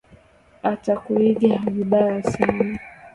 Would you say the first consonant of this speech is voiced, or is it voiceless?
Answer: voiceless